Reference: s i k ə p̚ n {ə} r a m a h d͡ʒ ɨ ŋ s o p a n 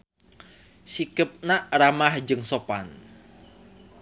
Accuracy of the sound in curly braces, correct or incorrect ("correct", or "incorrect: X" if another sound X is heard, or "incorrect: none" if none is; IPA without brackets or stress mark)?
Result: incorrect: a